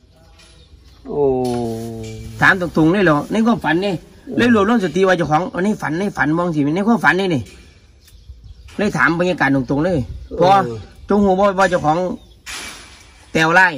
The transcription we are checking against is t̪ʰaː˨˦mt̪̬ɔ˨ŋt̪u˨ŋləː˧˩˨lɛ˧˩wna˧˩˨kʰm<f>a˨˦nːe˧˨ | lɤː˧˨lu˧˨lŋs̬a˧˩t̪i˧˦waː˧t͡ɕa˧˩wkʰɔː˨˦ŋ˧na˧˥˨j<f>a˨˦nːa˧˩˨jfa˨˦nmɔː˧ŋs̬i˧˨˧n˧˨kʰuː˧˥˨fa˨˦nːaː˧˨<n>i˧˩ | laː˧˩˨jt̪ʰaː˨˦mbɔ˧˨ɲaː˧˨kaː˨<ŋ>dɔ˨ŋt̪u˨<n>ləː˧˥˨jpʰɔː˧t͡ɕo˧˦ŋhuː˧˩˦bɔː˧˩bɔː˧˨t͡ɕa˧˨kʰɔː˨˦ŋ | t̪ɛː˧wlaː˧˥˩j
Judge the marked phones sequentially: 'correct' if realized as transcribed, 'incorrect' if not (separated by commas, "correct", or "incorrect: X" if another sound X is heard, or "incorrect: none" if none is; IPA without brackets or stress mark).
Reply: correct, correct, correct, incorrect: n, incorrect: ŋ